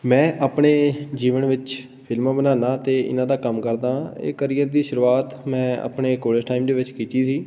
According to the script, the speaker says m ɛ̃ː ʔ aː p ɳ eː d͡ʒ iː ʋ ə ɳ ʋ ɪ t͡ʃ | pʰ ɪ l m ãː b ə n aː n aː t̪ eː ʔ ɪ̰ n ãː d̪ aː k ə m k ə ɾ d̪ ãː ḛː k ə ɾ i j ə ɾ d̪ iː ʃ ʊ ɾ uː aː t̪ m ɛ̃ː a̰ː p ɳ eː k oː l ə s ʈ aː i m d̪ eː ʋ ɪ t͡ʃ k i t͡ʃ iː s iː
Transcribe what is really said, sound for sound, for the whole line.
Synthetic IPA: m ɛ̃ː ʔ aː p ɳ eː d͡ʒ iː ʋ ə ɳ ʋ ɪ t͡ʃ | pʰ ɪ l m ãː b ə n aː n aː t̪ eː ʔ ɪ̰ n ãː d̪ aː k ə m k ə ɾ d̪ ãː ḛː k ə ɾ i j ə ɾ d̪ iː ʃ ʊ ɾ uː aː t̪ m ɛ̃ː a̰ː p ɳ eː k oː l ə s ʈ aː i m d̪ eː ʋ ɪ t͡ʃ k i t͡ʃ iː s iː